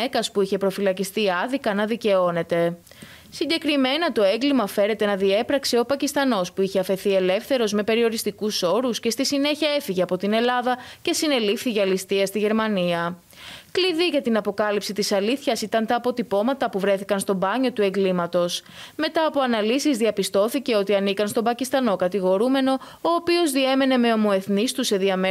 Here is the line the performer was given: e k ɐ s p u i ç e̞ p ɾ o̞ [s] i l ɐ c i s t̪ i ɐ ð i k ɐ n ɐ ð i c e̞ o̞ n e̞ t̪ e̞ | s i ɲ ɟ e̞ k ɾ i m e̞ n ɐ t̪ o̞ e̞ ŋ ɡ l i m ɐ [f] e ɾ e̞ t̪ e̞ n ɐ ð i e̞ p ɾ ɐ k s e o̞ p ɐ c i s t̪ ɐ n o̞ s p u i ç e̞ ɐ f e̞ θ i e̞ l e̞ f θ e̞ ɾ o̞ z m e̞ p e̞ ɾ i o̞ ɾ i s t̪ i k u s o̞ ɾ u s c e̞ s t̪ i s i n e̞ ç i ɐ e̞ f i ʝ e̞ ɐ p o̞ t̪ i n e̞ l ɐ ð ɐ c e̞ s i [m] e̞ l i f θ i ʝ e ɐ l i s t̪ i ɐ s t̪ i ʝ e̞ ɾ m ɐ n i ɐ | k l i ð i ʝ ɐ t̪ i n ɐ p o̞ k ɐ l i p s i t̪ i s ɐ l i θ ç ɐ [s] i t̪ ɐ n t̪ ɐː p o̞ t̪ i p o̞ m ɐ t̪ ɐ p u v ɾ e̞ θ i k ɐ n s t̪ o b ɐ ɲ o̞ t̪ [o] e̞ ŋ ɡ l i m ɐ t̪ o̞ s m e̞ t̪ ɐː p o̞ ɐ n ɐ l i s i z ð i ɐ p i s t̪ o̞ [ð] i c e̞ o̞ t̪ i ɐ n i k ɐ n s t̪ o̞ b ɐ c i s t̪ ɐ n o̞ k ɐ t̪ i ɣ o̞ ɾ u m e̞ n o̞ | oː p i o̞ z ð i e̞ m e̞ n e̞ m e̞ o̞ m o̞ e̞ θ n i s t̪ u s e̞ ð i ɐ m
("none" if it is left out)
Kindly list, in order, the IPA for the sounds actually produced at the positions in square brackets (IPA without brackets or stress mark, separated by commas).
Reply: f, f, n, s, u, θ